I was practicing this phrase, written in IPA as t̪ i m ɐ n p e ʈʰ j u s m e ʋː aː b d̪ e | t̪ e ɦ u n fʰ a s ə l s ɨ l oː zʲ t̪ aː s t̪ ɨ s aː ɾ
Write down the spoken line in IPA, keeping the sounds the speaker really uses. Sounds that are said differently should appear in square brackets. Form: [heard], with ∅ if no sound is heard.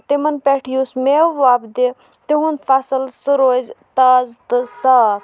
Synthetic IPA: t̪ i m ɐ n p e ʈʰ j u s m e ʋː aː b d̪ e | t̪ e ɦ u n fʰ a s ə l s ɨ [ɾ] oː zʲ t̪ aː [z] t̪ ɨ s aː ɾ